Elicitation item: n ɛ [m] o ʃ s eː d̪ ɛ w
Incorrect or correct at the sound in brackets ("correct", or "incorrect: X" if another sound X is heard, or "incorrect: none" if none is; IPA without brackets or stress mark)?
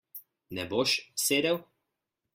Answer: incorrect: b